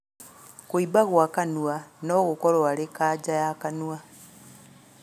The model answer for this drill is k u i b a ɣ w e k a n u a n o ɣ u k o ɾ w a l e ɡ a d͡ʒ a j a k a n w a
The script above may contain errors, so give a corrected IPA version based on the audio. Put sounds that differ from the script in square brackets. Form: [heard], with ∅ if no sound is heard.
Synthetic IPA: k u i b a ɣ w [a] k a n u a n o ɣ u k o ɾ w a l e [k] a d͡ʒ a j a k a n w a